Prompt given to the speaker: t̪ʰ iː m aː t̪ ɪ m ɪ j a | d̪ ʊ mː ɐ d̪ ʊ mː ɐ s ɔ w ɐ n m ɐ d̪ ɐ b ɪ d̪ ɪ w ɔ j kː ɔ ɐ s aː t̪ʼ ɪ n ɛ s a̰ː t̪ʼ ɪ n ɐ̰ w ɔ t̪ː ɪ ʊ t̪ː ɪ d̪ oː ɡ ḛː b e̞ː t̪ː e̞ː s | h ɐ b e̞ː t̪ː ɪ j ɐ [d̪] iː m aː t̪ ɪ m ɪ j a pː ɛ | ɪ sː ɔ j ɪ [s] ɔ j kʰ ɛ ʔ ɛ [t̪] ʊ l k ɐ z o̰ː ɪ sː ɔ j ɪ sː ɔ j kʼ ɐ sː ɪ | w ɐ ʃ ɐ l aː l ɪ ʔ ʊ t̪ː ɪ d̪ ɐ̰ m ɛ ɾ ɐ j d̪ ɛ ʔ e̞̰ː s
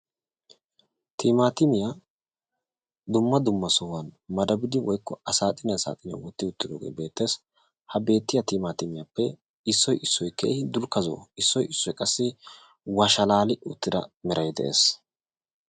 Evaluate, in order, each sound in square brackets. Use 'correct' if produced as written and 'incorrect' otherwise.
incorrect, incorrect, incorrect

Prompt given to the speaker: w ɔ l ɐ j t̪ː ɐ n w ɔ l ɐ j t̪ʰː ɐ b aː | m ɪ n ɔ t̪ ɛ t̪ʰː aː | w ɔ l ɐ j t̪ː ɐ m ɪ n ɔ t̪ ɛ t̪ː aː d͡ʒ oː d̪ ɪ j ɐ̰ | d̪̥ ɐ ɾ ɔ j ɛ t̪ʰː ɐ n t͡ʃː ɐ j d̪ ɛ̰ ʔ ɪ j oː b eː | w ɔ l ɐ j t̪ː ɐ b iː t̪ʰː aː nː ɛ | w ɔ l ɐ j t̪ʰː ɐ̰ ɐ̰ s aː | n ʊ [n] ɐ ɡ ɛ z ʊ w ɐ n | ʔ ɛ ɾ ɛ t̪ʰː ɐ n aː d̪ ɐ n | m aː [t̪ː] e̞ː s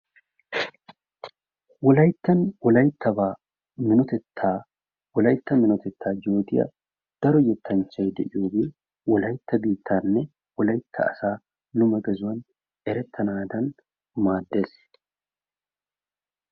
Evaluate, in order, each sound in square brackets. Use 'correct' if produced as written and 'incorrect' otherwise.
incorrect, incorrect

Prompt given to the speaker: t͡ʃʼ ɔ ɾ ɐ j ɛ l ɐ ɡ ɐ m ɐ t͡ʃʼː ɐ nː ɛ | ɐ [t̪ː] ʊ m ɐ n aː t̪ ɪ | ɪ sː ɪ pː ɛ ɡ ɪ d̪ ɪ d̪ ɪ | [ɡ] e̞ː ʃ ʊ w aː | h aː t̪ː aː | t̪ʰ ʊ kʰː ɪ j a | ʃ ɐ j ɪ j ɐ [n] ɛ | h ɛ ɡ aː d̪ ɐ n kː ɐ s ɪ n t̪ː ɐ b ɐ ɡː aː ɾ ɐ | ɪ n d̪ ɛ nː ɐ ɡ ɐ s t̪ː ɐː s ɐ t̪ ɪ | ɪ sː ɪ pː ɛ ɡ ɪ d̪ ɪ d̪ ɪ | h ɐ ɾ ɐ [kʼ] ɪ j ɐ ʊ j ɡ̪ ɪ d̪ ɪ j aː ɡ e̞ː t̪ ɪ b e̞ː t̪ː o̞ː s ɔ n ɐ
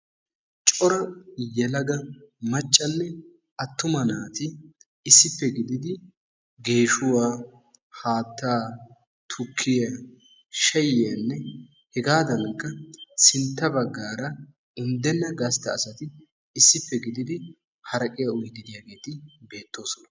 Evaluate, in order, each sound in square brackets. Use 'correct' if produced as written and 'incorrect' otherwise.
correct, correct, incorrect, correct

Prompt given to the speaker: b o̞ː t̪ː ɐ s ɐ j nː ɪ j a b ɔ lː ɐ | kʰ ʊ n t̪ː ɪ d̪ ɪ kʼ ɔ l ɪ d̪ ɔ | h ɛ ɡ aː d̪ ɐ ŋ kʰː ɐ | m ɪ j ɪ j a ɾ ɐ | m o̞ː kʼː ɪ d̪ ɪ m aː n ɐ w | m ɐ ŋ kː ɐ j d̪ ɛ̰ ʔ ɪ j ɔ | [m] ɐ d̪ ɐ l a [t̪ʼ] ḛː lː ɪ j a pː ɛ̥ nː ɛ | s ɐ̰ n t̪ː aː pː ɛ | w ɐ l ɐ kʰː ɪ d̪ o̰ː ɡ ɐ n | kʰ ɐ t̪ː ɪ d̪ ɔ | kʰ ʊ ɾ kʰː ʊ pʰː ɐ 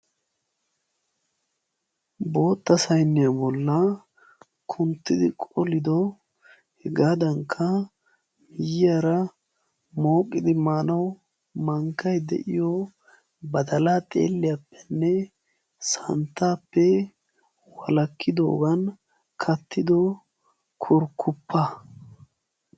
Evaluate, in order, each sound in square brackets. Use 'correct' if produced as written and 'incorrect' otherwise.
incorrect, correct

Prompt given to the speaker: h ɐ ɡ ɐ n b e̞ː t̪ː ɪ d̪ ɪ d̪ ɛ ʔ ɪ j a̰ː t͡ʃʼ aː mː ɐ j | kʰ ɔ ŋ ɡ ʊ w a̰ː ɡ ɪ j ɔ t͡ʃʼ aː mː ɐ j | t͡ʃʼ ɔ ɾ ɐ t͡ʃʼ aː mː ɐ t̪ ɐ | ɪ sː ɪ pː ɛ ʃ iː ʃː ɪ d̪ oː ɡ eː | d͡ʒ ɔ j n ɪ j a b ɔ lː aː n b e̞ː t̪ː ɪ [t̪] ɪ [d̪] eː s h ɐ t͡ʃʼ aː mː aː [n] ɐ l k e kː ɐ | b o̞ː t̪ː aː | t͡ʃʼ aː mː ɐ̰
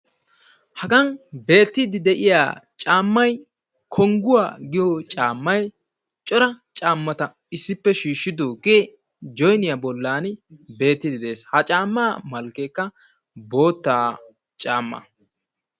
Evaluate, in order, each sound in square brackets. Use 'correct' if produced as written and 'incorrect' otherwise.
incorrect, correct, incorrect

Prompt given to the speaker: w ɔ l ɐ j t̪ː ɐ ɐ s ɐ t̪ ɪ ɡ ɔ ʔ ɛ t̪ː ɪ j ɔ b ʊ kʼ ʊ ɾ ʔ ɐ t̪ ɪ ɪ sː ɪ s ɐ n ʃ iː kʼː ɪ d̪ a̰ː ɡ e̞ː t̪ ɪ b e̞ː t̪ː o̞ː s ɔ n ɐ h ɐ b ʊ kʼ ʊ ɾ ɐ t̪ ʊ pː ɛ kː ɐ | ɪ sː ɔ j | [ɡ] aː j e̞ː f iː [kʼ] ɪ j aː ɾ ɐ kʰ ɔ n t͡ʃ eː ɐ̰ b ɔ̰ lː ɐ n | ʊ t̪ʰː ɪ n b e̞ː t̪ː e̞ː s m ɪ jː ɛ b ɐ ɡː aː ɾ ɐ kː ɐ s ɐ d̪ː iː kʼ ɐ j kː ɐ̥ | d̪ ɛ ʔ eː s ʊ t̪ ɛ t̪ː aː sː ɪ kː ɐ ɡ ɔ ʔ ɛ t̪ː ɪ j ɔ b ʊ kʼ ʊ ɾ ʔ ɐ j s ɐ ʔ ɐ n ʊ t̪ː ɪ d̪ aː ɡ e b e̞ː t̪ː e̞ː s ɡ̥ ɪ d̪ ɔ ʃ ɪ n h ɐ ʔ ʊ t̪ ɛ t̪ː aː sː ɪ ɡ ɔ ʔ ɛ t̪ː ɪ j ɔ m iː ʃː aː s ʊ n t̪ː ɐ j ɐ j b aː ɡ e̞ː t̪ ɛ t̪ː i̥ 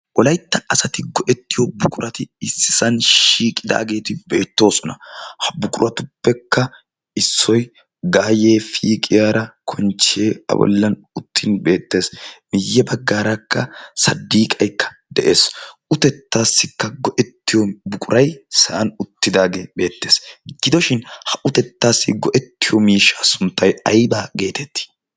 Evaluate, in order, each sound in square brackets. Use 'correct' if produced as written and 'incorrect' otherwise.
correct, correct

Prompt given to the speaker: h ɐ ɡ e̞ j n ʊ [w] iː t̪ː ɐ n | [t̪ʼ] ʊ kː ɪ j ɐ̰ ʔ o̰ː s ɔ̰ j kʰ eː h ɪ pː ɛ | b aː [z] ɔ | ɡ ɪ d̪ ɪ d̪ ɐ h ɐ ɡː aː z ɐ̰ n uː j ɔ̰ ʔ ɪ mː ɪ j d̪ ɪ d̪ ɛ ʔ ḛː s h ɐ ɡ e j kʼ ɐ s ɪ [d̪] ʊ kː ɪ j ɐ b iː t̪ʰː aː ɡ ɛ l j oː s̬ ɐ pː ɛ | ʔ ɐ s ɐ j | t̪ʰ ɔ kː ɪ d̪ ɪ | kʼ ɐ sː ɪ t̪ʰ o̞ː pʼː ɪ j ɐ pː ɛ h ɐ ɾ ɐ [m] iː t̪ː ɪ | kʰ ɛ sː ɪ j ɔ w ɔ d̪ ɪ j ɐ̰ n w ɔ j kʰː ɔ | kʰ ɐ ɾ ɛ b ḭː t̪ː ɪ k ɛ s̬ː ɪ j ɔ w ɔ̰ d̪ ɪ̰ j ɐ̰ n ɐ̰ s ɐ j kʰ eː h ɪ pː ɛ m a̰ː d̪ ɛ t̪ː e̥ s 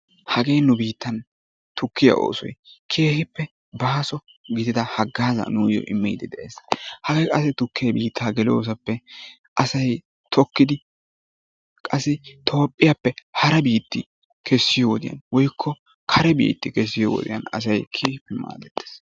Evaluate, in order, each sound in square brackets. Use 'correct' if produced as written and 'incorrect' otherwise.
incorrect, incorrect, incorrect, incorrect, incorrect

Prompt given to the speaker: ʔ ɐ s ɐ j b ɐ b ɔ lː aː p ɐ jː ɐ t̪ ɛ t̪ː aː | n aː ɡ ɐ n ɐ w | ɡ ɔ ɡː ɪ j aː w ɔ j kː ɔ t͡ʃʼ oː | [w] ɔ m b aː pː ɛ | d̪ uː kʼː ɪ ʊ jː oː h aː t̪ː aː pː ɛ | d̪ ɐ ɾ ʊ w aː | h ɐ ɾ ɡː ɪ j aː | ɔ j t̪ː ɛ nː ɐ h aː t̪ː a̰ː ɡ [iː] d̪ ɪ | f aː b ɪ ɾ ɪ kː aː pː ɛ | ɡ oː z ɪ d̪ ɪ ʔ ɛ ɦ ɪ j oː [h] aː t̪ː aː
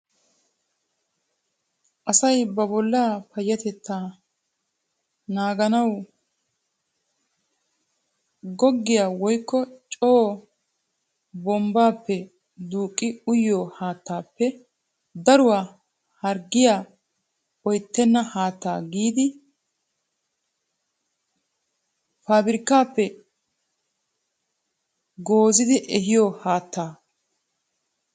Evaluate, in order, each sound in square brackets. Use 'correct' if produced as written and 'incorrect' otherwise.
incorrect, correct, correct

